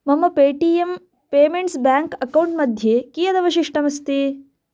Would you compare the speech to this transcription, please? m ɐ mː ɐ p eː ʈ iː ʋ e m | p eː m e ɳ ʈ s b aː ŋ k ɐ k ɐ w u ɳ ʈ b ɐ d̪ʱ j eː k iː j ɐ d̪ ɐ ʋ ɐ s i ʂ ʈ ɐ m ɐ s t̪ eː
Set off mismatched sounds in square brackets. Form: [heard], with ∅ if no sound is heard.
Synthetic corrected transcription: m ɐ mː ɐ p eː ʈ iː [∅] e m | p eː m e ɳ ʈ s b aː ŋ k ɐ k ɐ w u ɳ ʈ [m] ɐ d̪ʱ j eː k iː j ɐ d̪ ɐ ʋ ɐ [ʃ] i ʂ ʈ ɐ m ɐ s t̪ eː